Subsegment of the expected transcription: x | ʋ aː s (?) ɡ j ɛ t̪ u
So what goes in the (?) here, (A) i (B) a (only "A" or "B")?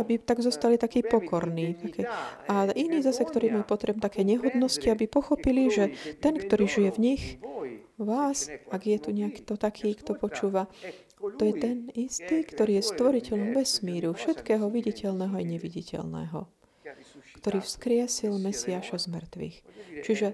B